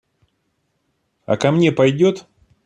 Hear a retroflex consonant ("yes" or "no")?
no